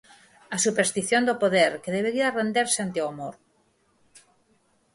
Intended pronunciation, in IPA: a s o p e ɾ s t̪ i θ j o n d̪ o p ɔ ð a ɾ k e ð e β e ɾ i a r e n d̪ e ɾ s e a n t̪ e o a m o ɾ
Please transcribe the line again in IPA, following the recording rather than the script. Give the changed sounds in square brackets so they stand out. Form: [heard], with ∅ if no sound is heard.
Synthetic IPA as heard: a s [u] p e ɾ s t̪ i θ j o n d̪ o p [o] ð [e] ɾ k e ð e β e ɾ i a r e n d̪ e ɾ s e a n t̪ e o a m o ɾ